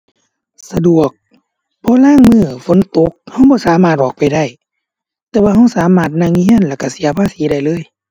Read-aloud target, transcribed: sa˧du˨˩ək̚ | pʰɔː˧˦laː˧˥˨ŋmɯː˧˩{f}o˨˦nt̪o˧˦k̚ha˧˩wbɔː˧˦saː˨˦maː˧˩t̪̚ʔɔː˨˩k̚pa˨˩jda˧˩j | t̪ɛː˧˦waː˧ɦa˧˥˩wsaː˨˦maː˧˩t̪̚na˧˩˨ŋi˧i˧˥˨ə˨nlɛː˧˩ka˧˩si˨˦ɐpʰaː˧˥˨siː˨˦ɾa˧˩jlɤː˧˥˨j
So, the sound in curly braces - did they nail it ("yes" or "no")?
yes